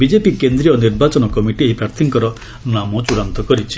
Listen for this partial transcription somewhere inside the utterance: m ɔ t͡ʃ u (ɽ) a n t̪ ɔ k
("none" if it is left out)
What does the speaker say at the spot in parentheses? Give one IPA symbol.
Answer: ɽ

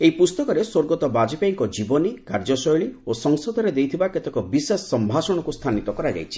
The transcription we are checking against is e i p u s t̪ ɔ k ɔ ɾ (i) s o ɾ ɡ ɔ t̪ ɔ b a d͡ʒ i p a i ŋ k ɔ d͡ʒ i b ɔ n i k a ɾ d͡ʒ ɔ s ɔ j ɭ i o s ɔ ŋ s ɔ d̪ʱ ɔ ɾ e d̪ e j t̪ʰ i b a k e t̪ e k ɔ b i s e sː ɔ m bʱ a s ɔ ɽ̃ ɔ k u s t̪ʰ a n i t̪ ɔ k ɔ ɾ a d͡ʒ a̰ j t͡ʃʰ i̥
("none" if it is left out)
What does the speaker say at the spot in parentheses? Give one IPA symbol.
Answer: e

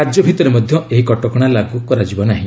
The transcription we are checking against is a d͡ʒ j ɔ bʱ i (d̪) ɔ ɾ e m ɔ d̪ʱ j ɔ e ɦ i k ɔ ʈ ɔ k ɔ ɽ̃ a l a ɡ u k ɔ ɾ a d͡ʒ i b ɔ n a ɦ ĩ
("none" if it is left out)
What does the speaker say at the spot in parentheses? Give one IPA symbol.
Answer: t̪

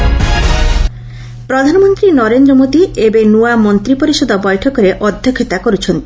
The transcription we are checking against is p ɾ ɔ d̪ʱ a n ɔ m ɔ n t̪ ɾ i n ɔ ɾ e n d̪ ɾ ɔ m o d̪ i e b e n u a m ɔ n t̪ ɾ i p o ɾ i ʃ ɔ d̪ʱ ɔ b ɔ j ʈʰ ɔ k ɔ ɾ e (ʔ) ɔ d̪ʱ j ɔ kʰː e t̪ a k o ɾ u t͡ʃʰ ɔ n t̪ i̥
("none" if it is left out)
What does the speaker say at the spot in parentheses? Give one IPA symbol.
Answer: ʔ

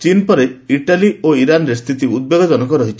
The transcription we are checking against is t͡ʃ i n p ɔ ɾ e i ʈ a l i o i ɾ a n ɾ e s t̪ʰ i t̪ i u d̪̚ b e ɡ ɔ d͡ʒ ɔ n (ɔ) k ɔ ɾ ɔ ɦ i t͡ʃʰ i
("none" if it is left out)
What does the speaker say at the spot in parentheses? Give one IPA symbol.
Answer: ɔ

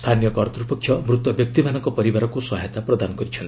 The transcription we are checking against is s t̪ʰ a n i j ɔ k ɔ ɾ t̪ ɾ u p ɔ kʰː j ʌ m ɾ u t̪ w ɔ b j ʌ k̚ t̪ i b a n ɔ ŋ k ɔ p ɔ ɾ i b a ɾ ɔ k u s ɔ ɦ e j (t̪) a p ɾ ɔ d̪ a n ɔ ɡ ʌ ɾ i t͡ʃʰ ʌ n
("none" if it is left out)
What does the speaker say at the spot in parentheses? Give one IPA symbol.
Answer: t̪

